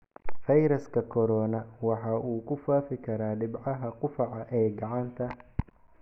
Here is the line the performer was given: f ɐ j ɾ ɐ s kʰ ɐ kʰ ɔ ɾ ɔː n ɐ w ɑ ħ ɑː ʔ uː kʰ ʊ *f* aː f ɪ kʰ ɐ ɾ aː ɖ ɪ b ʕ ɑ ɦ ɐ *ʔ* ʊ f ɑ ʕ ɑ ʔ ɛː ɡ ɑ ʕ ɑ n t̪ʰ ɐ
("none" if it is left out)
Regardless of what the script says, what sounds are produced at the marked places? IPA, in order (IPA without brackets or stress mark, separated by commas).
f, q